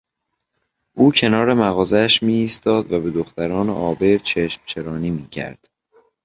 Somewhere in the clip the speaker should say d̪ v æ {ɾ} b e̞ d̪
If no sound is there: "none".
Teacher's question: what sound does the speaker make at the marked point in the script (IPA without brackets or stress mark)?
none